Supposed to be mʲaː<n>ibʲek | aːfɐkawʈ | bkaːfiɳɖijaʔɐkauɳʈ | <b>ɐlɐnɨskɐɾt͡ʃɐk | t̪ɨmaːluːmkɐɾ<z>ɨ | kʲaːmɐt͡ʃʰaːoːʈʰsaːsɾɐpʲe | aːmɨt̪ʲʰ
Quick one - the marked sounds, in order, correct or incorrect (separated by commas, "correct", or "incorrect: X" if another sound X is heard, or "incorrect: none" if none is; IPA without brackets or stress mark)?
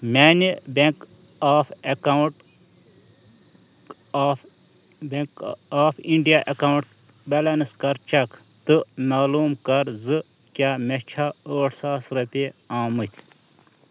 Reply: correct, correct, correct